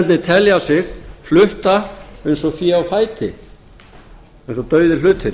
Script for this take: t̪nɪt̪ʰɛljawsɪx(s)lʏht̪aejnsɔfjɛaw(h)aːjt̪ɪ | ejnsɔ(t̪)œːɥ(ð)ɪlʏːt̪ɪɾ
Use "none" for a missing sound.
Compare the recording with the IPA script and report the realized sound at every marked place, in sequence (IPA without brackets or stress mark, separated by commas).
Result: f, f, t̪, ð